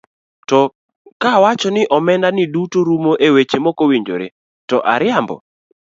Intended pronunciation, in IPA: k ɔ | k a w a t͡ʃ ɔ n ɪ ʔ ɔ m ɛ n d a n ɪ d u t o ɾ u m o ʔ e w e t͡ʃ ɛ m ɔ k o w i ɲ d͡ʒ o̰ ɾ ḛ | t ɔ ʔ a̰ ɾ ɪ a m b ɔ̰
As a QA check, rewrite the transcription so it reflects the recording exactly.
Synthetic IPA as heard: t ɔ | k a w a t͡ʃ ɔ n ɪ ʔ ɔ m ɛ n d a n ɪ d u t o ɾ u m o ʔ e w e t͡ʃ e m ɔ k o w i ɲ d͡ʒ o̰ ɾ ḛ | t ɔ ʔ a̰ ɾ ɪ a m b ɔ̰